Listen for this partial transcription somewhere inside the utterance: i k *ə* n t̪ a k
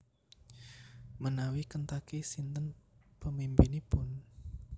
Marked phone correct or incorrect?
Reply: correct